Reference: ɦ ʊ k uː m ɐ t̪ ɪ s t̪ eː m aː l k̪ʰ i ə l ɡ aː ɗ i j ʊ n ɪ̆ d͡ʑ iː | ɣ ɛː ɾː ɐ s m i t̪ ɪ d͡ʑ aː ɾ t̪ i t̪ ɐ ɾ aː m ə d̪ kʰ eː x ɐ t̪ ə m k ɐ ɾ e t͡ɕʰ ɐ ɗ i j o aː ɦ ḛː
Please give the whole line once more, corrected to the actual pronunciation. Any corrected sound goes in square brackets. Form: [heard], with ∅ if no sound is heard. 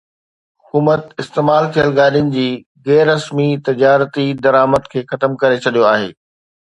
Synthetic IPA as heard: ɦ ʊ k uː m [ə] t̪ ɪ s t̪ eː m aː l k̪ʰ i ə l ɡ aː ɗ i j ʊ n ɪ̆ d͡ʑ iː | ɣ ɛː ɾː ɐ s m i t̪ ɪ d͡ʑ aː ɾ t̪ i [d̪] ɐ ɾ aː m ə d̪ kʰ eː x ɐ t̪ ə m k ɐ ɾ e t͡ɕʰ ɐ ɗ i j o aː ɦ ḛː